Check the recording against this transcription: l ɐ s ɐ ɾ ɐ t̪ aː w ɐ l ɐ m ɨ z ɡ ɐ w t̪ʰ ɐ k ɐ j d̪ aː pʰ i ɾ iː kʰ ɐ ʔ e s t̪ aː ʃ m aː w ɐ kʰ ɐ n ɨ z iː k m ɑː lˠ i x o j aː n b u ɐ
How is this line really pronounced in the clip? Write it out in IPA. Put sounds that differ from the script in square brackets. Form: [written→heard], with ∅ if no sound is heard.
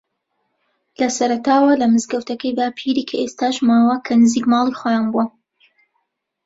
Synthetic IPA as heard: l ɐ s ɐ ɾ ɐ t̪ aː w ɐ l ɐ m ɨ z ɡ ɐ w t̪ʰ ɐ k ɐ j d̪ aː pʰ i ɾ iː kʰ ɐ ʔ e s t̪ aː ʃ m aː w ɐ kʰ ɐ n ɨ z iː k m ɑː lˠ i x o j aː n b u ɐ